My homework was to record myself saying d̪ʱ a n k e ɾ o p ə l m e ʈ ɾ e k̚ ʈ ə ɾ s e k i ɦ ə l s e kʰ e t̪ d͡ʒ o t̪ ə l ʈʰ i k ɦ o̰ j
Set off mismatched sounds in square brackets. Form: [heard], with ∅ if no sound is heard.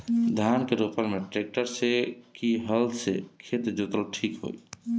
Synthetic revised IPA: d̪ʱ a n k e ɾ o p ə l m e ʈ ɾ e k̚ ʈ ə ɾ s e k i ɦ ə l s e kʰ e t̪ d͡ʒ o t̪ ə l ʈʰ i k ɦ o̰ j